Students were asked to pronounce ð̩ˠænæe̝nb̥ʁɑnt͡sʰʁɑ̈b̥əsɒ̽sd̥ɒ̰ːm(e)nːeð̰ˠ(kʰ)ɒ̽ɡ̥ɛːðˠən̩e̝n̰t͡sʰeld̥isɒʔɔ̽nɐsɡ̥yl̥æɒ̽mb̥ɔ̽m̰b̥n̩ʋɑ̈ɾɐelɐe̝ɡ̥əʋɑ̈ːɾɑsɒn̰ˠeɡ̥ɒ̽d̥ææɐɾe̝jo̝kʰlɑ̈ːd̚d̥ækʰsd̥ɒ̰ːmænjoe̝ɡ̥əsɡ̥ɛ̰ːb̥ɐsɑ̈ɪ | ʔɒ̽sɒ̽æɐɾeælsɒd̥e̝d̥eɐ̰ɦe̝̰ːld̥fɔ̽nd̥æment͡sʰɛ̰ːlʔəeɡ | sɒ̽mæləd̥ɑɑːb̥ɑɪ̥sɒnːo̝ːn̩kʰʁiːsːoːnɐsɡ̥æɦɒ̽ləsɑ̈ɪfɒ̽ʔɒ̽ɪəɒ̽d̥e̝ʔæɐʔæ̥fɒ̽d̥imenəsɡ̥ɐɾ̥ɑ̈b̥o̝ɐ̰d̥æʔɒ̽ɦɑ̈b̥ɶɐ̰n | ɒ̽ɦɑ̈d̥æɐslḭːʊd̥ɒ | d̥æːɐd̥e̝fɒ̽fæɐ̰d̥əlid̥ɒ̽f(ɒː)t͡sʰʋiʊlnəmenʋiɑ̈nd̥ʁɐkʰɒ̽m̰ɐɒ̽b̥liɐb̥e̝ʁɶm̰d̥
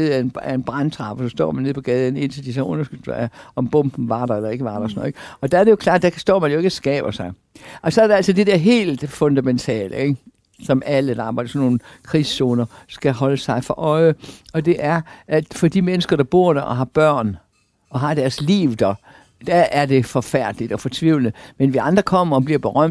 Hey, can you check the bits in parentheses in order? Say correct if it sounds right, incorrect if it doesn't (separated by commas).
incorrect, incorrect, incorrect